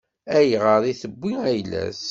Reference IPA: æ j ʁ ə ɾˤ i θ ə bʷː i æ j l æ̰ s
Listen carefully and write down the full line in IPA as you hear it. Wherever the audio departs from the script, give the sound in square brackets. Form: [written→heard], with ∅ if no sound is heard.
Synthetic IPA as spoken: æ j ʁ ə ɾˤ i θ ə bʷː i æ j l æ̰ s